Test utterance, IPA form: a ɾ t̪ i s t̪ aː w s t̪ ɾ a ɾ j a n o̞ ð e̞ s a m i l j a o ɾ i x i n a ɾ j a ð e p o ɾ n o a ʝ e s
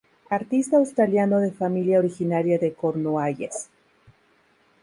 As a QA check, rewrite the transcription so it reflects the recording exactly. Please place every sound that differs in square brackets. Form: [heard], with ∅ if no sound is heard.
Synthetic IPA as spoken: a ɾ t̪ i s t̪ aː w s t̪ ɾ a [l] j a n o̞ ð e̞ [f] a m i l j a o ɾ i x i n a ɾ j a ð e [k] o ɾ n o a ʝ e s